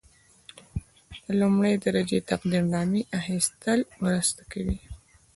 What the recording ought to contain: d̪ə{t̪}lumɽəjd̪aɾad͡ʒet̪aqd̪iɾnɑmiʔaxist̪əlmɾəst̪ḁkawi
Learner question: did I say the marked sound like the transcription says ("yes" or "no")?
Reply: no